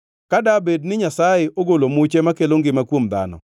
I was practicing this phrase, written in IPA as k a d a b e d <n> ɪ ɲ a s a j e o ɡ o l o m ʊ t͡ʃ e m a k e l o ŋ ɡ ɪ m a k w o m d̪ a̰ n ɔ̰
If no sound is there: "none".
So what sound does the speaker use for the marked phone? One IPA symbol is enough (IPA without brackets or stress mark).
n